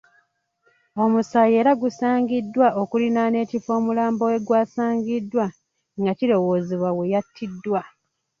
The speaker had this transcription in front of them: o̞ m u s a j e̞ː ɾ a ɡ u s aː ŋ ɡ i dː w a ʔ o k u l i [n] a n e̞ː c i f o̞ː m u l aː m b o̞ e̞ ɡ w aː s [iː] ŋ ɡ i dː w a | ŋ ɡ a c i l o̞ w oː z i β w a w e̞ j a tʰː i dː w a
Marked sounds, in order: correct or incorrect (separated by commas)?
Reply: correct, incorrect